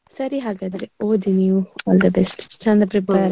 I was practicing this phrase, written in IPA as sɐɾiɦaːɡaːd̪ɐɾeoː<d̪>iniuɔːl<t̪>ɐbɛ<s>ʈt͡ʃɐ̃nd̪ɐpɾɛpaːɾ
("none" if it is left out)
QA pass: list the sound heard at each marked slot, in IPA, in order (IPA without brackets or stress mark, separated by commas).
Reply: d̪, d̪, s